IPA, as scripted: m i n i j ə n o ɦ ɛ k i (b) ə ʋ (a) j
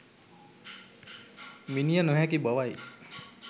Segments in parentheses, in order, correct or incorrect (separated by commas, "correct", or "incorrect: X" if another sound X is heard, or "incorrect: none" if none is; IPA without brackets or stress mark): correct, correct